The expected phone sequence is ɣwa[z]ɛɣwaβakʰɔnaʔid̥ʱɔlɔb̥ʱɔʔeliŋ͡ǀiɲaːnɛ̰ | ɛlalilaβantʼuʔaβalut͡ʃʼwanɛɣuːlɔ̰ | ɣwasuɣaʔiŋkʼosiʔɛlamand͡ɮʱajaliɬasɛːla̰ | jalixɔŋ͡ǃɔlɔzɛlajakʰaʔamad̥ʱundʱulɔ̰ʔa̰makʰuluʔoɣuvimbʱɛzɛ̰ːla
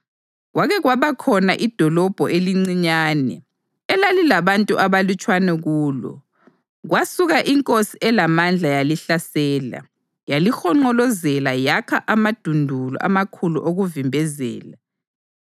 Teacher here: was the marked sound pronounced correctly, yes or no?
no